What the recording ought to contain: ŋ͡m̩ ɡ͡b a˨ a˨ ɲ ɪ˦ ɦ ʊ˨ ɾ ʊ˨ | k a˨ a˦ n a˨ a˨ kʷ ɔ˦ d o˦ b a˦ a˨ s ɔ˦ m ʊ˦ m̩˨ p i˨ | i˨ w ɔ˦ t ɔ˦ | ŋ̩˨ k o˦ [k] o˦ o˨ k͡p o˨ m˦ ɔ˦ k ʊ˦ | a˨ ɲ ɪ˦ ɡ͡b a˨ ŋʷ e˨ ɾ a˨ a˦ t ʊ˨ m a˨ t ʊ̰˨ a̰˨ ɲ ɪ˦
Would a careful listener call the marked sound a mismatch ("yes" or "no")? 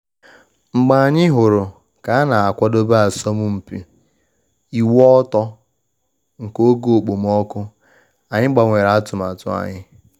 yes